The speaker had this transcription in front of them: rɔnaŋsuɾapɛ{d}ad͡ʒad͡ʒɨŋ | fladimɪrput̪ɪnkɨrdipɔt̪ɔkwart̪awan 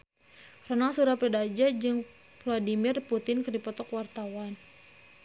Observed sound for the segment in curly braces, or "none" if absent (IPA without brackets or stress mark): d